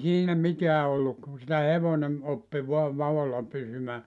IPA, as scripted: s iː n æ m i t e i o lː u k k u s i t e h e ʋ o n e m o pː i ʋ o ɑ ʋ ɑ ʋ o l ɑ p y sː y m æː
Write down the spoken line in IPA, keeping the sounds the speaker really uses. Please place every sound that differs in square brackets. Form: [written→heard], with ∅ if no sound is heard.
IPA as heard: s iː n æ m i t e [i→æ] o lː u k k u s i t [e→æ] h e ʋ o n e m o pː i ʋ o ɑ ʋ ɑ ʋ o [l→lː] ɑ p y [sː→s] y m æː